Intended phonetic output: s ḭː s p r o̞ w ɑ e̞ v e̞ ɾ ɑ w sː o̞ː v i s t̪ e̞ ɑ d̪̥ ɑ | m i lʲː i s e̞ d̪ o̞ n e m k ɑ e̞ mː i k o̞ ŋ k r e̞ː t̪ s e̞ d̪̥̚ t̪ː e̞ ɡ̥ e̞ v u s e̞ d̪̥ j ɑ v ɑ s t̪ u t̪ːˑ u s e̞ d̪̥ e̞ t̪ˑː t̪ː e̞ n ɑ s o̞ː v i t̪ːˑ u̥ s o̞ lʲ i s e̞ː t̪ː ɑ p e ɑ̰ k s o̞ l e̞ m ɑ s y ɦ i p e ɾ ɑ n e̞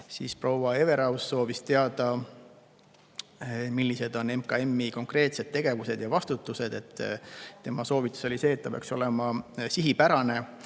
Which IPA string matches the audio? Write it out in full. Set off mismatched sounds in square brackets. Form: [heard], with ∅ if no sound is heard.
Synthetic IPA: s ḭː s p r o̞ w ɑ e̞ v e̞ ɾ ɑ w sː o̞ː v i s t̪ e̞ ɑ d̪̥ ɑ | m i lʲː i s e̞ d̪ o̞ n e m k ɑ e̞ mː i k o̞ ŋ k r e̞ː t̪ s e̞ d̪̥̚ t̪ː e̞ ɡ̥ e̞ v u s e̞ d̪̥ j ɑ v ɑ s t̪ u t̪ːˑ u s e̞ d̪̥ e̞ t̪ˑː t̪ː e̞ [m] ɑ s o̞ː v i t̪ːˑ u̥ s o̞ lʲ i s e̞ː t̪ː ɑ p e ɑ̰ k s o̞ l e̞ m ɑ s [i] ɦ i p [æ] ɾ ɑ n e̞